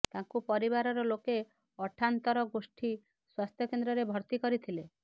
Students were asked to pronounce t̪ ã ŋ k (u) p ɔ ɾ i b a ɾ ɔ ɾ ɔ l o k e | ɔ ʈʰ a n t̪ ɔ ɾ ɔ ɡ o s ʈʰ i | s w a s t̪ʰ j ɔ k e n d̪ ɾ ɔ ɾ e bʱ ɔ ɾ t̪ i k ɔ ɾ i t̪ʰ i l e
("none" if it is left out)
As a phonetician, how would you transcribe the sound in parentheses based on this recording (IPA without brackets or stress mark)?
u